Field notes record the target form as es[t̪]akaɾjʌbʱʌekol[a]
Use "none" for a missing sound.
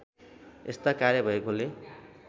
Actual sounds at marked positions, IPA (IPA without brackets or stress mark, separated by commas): t̪, e